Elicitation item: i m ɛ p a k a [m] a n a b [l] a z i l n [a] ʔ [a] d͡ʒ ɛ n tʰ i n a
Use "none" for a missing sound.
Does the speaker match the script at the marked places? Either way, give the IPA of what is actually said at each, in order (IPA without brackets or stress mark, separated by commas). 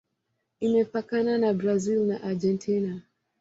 n, ɾ, a, a